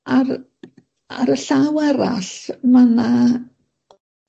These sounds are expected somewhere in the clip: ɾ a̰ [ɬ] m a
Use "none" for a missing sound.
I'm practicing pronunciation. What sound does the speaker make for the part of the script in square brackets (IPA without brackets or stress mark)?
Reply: ɬ